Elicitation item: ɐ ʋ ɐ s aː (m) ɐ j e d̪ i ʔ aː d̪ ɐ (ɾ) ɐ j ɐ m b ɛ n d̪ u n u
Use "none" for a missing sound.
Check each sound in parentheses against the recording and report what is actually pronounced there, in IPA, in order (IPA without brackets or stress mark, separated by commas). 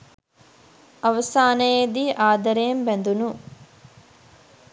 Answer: n, ɾ